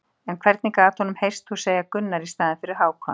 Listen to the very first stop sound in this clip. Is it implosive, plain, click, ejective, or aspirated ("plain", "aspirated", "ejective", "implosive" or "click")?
aspirated